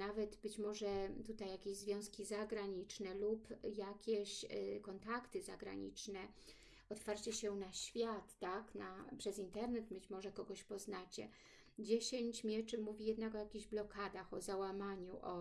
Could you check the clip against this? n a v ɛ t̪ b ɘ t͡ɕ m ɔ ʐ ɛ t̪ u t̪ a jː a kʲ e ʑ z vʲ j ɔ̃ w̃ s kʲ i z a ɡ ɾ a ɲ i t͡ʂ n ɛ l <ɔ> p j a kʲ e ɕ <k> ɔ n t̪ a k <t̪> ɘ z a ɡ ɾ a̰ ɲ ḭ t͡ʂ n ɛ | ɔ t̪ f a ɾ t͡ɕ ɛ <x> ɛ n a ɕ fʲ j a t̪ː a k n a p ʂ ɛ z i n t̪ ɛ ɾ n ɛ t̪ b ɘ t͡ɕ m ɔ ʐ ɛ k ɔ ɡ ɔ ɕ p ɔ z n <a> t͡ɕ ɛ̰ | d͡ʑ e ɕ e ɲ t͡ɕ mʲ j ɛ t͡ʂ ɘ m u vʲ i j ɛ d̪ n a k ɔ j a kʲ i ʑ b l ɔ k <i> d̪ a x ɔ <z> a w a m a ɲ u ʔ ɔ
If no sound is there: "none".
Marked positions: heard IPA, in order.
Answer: u, k, t̪, ɕ, a, a, z

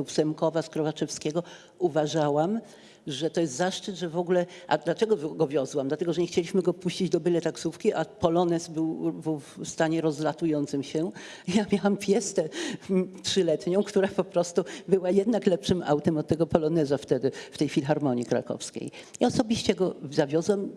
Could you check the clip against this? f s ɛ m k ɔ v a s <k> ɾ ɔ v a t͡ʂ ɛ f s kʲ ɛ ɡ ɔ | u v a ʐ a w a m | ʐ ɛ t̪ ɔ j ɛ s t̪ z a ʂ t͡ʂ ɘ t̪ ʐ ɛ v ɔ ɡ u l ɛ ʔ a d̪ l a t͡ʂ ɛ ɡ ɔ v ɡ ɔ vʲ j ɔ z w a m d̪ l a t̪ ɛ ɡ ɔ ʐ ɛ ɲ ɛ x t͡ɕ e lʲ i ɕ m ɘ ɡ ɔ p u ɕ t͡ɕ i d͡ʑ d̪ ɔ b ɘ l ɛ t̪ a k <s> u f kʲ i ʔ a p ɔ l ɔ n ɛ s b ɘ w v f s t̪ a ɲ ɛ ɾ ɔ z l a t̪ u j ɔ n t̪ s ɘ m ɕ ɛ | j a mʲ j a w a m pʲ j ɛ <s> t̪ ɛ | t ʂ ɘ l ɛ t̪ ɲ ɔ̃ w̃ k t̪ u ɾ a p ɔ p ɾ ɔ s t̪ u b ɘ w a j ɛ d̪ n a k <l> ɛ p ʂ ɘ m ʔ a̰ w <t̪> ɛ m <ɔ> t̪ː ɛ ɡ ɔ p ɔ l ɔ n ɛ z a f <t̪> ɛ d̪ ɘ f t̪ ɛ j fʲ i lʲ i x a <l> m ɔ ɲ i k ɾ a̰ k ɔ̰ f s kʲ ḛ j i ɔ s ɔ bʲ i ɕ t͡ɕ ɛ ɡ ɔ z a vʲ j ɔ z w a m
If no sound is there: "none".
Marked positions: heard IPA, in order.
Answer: k, s, s, l, t̪, ɔ, t̪, ɾ

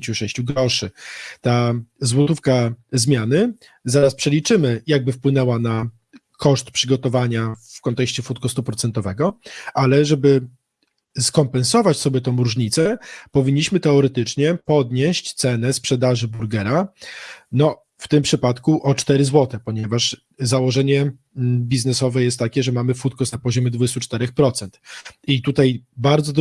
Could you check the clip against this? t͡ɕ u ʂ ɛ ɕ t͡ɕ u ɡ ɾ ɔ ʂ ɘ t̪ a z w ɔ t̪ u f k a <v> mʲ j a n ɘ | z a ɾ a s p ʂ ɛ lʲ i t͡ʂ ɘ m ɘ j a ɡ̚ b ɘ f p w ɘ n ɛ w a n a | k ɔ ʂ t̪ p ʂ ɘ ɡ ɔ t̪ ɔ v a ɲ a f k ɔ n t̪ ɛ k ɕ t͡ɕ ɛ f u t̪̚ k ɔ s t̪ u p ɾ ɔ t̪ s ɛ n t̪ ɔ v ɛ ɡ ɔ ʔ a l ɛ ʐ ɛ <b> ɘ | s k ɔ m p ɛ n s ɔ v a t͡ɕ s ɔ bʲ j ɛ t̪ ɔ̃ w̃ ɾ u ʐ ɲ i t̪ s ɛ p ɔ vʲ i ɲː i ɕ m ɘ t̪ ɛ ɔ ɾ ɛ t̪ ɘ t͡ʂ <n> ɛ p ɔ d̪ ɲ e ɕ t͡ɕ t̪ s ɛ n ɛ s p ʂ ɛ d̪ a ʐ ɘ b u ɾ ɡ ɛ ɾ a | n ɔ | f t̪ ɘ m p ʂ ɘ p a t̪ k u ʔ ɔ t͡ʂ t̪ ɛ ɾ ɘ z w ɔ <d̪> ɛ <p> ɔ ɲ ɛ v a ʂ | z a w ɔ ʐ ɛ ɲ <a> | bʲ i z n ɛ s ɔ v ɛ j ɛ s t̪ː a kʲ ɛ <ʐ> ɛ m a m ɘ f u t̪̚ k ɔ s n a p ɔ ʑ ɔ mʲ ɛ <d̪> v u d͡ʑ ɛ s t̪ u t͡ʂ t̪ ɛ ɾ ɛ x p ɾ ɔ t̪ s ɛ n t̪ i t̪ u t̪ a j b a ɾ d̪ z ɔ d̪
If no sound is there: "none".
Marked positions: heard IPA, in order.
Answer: z, b, ɲ, t̪, p, ɛ, ʐ, d̪

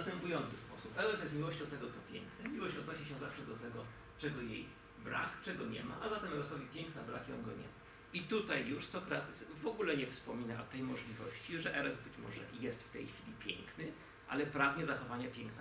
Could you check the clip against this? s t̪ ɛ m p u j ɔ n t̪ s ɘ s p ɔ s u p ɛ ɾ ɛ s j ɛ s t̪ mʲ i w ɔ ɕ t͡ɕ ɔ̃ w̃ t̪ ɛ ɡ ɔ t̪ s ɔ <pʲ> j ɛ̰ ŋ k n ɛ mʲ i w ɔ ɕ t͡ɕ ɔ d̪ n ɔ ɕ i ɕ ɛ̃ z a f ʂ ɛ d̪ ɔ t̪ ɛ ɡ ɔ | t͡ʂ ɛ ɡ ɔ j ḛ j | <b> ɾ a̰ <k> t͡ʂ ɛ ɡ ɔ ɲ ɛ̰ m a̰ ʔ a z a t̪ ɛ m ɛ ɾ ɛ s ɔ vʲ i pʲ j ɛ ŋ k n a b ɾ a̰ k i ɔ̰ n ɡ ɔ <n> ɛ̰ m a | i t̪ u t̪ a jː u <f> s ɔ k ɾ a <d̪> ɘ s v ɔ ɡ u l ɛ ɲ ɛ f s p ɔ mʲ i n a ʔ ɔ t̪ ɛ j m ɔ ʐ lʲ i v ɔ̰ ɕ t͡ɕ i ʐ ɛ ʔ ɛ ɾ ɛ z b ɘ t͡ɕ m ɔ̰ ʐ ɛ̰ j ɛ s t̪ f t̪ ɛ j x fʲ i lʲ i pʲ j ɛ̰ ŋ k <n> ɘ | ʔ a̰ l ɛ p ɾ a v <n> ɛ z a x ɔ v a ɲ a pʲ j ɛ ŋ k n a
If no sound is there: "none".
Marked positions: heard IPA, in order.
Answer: pʲ, b, k, ɲ, ʂ, t̪, n, ɲ

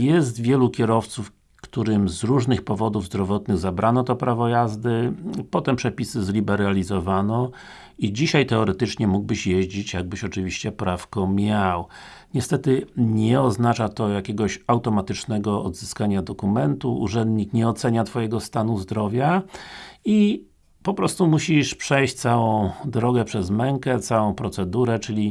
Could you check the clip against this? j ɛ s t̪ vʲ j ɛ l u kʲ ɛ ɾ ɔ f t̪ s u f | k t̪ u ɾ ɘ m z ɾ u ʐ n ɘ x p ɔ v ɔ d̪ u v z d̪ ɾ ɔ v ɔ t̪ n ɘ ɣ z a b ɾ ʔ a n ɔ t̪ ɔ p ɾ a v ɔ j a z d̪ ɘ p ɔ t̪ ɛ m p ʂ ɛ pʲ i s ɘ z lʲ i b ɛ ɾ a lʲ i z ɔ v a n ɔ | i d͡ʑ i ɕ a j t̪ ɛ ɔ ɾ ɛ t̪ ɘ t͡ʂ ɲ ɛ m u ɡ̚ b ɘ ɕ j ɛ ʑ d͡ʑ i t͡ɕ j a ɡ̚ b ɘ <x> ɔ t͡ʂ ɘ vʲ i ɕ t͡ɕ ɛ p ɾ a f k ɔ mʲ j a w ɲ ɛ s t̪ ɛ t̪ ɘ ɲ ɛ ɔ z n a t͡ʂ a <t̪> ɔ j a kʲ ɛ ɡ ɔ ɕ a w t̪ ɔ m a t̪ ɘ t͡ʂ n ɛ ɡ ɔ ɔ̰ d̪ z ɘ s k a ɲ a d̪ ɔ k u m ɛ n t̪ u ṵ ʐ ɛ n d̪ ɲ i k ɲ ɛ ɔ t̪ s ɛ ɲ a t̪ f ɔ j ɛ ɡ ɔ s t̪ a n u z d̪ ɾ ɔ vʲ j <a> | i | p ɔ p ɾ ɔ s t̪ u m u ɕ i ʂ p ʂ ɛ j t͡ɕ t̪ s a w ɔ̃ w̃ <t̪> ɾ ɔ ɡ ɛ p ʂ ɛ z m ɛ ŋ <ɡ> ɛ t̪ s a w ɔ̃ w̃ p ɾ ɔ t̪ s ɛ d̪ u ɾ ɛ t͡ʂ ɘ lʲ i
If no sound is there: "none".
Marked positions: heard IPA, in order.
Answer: ɕ, t̪, a, d̪, k

